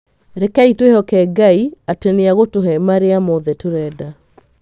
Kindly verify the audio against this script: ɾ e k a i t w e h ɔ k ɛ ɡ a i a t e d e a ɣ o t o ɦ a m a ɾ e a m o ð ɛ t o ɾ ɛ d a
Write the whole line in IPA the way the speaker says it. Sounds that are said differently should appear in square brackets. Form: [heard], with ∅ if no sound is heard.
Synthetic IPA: ɾ e k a i t w e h ɔ k ɛ ɡ a i a t e [n] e a ɣ o t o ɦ [ɛ] m a ɾ e a m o ð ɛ t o ɾ ɛ d a